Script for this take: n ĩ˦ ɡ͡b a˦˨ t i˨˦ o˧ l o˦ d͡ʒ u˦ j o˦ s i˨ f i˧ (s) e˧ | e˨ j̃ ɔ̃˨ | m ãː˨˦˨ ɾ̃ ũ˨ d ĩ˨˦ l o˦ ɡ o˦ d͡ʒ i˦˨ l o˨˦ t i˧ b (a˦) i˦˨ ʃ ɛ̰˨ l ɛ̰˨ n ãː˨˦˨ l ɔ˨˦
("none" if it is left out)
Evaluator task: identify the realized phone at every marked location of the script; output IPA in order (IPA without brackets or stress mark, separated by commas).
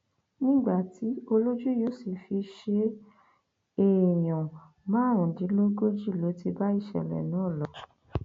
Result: ʃ, a˦